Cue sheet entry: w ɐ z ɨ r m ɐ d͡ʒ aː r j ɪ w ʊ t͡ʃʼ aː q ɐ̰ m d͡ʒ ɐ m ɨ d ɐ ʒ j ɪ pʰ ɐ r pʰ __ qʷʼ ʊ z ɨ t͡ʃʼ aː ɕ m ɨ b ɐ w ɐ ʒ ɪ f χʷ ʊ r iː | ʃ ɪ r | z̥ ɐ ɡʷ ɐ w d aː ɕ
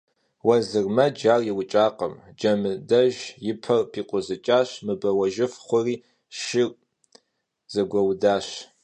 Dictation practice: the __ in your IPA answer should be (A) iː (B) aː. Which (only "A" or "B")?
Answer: A